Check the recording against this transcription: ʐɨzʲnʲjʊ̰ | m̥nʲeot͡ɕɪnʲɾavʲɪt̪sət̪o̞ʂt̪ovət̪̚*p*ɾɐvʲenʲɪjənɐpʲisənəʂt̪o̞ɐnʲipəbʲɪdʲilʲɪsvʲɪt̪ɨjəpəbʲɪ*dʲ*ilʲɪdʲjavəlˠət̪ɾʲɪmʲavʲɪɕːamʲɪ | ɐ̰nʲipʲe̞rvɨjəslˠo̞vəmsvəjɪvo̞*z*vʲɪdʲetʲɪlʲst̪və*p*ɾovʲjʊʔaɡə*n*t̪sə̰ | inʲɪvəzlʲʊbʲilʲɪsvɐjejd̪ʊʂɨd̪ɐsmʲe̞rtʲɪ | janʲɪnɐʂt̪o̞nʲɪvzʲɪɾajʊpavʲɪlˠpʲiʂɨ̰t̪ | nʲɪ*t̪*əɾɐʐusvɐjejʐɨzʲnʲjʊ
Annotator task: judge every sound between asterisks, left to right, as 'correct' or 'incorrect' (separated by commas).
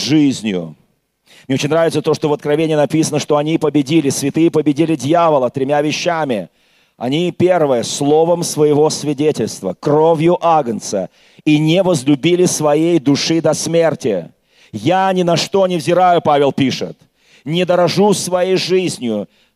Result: incorrect, correct, incorrect, incorrect, correct, incorrect